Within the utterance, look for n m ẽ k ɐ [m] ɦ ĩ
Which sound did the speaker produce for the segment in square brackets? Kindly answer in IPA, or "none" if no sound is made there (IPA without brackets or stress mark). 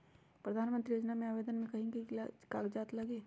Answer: none